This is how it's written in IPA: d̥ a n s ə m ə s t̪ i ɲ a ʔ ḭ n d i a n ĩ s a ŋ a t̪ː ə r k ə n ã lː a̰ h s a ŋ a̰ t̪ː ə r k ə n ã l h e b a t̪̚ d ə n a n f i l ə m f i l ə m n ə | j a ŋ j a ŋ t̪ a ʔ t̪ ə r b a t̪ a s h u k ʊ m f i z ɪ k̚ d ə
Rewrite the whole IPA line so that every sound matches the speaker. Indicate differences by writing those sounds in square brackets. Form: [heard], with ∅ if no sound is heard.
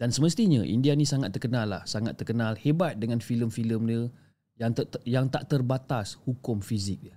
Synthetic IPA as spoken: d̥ a n s ə m ə s t̪ i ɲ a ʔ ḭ n d i a n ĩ s a ŋ a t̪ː ə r k ə n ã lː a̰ h s a ŋ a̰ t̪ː ə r k ə n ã l h e b a t̪̚ d ə [ŋ] a n f i l ə m f i l ə m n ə | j a ŋ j a ŋ t̪ a ʔ t̪ ə r b a t̪ a s h u k ʊ m f i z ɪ k̚ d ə